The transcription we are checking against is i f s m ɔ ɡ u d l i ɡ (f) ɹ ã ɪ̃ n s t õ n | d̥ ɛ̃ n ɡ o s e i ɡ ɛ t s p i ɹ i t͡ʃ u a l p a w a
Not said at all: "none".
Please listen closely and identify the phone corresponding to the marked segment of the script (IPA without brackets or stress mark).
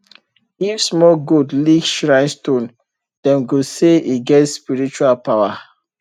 ʃ